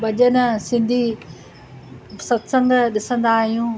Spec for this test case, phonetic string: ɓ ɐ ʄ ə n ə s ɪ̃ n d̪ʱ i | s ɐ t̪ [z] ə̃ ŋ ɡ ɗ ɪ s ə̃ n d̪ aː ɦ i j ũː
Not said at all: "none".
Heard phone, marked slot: s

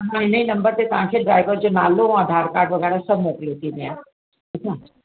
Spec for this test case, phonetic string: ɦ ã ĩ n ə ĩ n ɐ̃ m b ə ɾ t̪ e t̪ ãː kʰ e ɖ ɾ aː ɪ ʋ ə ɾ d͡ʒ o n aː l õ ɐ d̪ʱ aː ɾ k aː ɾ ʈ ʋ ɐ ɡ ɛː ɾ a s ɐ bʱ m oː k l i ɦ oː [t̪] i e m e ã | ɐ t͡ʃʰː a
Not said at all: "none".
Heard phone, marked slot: t̪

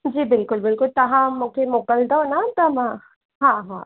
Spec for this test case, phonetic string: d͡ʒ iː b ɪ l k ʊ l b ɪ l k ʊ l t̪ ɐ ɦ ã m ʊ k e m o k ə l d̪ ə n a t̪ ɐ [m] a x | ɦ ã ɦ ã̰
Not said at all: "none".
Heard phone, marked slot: m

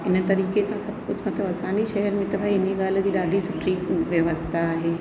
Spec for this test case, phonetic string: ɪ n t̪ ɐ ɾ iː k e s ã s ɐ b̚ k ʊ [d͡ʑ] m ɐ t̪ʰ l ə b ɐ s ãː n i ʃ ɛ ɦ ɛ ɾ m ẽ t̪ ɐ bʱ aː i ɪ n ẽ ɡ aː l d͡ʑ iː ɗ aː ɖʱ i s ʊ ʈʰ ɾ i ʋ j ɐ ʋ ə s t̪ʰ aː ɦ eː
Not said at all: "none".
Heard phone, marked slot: d͡ʑ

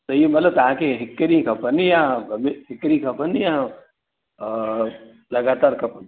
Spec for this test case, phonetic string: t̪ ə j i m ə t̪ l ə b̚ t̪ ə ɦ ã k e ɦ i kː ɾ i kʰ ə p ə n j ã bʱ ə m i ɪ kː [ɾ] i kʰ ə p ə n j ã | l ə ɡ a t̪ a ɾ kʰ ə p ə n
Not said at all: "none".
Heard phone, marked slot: ɾ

